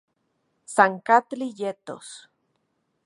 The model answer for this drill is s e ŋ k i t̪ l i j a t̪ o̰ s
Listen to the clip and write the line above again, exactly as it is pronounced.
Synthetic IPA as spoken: s a ŋ k a t̪ l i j e t̪ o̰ s